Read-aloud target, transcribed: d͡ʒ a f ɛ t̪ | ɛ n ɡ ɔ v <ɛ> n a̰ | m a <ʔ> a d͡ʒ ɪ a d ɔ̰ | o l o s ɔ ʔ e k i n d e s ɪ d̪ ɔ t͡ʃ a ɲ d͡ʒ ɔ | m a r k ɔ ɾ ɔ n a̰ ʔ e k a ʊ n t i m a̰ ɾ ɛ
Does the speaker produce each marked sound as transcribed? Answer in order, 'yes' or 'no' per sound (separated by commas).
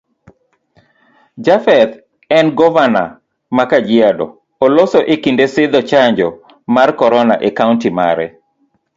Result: no, no